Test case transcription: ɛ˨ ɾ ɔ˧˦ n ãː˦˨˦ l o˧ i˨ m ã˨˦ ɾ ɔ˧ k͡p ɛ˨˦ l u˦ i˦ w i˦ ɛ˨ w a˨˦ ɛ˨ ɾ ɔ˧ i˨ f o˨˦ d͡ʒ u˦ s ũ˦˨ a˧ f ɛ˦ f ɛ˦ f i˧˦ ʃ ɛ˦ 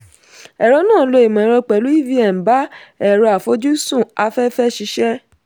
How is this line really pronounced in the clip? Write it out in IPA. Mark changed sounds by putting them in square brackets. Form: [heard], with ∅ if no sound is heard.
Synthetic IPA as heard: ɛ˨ ɾ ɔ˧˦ n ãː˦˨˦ l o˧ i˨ m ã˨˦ ɾ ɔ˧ k͡p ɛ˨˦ l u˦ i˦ [v] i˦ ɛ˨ [b] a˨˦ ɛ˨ ɾ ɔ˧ [a˨] f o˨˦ d͡ʒ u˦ s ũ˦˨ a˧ f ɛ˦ f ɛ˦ [ʃ] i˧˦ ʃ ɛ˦